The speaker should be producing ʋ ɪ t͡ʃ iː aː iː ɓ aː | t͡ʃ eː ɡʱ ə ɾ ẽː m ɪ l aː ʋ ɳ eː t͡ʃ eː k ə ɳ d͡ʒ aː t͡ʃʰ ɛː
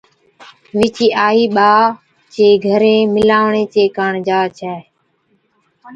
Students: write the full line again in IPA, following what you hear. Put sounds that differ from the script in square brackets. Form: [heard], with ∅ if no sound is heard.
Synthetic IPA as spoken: ʋ ɪ t͡ʃ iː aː iː ɓ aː | t͡ʃ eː ɡʱ ə ɾ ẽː m ɪ l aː ʋ ɳ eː t͡ʃ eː k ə ɳ d͡ʒ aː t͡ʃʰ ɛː